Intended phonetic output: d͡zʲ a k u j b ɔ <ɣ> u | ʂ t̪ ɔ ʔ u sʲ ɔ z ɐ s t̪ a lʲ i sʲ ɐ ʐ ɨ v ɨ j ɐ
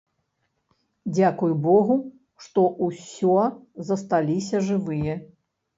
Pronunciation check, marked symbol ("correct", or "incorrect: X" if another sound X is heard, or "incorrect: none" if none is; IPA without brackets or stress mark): correct